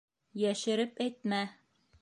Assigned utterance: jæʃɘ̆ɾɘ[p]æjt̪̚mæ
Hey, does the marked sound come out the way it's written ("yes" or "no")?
yes